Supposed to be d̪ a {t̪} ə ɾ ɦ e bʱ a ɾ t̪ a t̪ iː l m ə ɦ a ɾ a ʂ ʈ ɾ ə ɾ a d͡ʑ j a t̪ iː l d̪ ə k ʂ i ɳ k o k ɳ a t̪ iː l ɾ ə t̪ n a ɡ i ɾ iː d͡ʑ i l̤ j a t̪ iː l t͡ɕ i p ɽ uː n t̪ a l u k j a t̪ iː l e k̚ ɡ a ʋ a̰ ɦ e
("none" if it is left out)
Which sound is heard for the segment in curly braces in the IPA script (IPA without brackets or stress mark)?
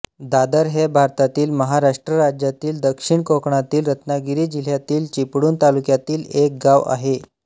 d̪